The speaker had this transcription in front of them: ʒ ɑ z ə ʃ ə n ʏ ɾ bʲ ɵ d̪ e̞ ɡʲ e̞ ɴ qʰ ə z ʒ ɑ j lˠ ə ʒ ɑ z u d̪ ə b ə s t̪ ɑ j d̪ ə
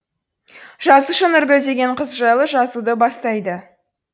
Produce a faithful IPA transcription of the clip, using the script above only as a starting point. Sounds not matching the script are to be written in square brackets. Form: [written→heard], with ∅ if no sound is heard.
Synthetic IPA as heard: ʒ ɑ z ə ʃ ə n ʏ ɾ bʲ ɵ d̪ e̞ ɡʲ e̞ ɴ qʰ ə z ʒ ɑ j lˠ ə ʒ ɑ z u d̪ ə b [ə→ɑ] s t̪ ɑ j d̪ ə